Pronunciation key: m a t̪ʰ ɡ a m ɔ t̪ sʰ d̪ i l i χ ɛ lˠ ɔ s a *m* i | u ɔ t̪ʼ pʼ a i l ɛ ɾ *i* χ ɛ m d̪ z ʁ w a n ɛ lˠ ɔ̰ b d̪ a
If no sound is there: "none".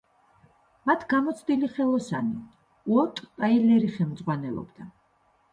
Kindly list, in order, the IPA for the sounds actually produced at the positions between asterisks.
n, i

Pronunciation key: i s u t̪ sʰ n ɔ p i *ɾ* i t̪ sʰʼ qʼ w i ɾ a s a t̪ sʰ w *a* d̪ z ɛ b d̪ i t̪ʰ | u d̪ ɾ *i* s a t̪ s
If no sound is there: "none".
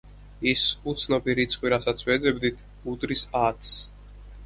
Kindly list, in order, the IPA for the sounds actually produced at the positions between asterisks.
ɾ, ɛ, i

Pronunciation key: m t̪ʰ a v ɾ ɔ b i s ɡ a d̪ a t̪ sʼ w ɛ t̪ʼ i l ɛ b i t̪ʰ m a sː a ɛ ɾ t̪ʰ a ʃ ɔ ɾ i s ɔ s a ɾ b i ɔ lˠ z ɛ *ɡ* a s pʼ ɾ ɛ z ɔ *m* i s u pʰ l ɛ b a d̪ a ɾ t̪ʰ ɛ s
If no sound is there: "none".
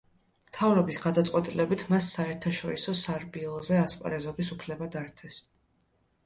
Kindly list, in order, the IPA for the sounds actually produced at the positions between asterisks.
none, b

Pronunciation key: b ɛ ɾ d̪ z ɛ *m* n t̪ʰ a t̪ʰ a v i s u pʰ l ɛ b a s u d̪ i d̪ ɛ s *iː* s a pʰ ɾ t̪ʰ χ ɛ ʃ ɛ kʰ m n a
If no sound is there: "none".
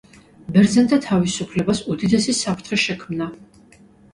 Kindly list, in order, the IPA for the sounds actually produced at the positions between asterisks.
none, i

